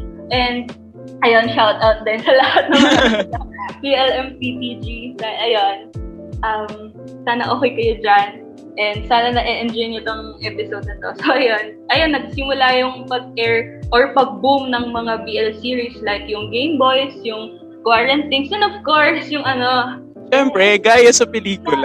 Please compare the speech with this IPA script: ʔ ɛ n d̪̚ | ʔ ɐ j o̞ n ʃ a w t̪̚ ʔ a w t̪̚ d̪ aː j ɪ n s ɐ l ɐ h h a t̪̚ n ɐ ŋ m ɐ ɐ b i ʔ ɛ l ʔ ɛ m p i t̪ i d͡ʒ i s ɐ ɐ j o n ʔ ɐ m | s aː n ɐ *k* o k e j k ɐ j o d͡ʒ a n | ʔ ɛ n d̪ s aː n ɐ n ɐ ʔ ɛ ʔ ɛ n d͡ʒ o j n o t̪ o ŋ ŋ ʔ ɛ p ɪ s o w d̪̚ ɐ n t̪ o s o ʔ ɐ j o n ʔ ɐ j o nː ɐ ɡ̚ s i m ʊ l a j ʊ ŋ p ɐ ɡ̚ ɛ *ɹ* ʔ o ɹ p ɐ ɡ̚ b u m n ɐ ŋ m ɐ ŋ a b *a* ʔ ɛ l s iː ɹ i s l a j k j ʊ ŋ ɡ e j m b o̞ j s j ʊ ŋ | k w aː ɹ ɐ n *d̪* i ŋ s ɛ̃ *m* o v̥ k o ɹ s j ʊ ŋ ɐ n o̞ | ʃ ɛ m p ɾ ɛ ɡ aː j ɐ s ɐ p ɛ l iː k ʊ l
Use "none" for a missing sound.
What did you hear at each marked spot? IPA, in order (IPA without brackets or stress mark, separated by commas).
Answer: ʔ, ɹ, i, t̪, n